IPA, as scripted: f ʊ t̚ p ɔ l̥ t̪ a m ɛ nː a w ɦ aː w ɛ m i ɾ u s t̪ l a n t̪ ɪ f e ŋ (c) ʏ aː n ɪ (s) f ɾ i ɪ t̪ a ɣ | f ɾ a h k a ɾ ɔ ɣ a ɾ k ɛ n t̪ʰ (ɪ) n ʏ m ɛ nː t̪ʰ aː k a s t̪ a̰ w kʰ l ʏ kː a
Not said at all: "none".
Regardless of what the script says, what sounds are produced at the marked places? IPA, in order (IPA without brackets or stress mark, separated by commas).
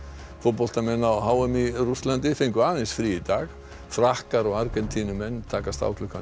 k, s, i